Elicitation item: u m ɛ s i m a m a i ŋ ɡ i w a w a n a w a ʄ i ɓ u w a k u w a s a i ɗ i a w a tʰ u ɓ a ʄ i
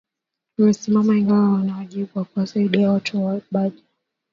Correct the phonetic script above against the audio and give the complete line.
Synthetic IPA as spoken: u m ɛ s i m a m a i ŋ ɡ a w a w a n a w a ʄ i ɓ u w a k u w a s a i ɗ i a w a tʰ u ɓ a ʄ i